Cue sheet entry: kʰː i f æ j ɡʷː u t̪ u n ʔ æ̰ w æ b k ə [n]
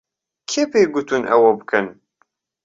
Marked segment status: correct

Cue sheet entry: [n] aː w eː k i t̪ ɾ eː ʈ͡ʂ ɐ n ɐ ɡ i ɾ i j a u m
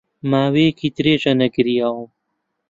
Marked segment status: incorrect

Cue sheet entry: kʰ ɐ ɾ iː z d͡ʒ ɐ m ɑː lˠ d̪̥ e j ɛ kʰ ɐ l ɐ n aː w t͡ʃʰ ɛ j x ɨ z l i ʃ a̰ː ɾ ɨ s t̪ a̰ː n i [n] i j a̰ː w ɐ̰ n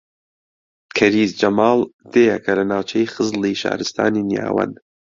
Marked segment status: correct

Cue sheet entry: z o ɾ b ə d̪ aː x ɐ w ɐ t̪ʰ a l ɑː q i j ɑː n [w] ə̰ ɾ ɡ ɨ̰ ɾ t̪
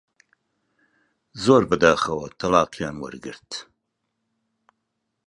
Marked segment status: correct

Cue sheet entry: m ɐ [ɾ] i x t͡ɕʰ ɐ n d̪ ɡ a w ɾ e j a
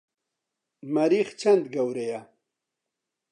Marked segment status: correct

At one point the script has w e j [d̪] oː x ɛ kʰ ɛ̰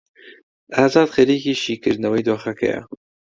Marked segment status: correct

